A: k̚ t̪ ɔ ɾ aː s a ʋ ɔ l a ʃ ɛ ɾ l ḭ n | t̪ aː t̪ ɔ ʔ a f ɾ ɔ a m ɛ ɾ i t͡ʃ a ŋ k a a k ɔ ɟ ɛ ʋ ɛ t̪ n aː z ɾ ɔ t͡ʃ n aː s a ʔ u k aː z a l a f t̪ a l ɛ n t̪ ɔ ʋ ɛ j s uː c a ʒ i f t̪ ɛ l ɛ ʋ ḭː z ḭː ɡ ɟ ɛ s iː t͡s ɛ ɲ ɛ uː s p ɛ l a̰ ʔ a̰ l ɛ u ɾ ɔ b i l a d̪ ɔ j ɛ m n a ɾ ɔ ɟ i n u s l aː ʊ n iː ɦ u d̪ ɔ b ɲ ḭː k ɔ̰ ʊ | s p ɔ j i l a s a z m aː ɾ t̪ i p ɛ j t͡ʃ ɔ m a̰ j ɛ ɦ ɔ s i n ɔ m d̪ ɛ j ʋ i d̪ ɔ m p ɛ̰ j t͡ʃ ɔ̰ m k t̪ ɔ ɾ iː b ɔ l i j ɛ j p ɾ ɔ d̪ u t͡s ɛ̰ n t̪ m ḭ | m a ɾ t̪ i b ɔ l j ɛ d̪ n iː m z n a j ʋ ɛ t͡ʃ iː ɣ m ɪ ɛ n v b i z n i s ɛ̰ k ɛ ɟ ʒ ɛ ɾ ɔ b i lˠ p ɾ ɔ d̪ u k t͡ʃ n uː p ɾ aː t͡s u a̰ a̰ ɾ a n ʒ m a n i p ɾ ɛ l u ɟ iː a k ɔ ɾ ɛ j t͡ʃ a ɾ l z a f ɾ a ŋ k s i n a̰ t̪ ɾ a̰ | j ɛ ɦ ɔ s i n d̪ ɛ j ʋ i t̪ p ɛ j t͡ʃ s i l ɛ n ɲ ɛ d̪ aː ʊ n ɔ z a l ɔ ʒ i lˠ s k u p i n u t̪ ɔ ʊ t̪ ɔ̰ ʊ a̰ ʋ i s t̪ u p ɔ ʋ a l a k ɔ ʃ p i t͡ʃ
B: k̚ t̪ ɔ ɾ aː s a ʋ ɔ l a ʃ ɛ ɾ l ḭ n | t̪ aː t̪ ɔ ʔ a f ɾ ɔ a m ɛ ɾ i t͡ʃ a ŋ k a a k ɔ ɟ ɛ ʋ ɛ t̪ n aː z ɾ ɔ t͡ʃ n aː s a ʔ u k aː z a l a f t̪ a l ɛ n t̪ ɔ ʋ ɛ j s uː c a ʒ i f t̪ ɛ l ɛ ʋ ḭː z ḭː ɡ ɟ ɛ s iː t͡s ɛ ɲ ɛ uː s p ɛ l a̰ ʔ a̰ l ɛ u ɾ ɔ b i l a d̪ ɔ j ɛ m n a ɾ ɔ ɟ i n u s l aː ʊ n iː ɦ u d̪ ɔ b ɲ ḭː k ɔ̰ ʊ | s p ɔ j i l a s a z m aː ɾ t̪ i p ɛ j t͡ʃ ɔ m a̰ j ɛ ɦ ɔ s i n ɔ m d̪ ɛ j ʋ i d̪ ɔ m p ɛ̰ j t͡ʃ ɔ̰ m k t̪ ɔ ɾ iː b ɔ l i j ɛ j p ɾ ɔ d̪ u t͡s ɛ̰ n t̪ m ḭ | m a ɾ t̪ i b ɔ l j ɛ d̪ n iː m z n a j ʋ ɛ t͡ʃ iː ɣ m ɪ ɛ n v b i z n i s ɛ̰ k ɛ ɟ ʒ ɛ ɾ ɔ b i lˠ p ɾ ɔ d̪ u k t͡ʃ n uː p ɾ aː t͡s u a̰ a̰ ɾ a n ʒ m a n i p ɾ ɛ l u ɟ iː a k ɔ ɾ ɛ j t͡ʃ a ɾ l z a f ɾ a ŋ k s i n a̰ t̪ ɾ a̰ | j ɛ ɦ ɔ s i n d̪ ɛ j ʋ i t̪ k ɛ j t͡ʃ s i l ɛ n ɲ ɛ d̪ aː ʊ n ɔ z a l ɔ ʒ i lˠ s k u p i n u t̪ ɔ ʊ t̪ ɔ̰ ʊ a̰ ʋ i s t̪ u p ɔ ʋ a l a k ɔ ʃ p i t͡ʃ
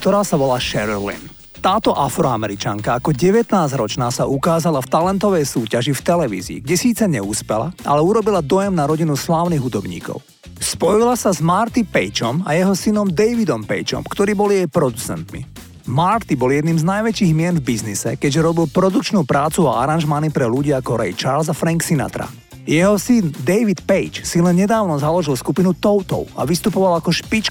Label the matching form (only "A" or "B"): A